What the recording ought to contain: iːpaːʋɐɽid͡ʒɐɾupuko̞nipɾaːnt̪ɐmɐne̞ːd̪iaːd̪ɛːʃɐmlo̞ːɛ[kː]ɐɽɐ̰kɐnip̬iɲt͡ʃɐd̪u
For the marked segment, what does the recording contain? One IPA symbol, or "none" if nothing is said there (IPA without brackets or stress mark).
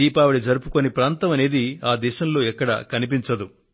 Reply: kː